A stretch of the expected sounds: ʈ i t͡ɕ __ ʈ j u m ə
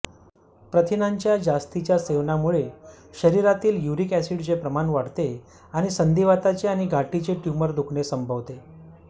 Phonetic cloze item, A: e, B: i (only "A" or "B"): A